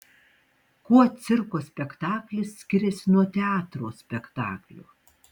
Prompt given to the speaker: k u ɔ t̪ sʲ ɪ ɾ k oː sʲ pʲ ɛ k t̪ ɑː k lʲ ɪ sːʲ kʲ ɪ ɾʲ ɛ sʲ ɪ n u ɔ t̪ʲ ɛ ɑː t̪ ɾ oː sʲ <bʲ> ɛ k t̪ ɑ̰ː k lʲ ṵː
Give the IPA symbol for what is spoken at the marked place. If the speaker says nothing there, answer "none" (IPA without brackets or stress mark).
pʲ